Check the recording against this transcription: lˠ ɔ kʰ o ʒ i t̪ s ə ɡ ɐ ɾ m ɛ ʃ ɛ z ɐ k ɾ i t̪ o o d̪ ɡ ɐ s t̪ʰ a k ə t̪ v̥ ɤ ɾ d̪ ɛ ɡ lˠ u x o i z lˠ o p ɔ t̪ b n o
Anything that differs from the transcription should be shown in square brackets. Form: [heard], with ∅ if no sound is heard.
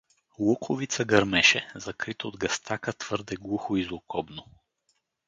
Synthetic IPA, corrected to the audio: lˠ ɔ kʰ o [v] i t̪ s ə ɡ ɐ ɾ m ɛ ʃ ɛ z ɐ k ɾ i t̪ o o d̪ ɡ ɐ s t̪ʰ a k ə t̪ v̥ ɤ ɾ d̪ ɛ ɡ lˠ u x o i z lˠ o [k] ɔ [∅] b n o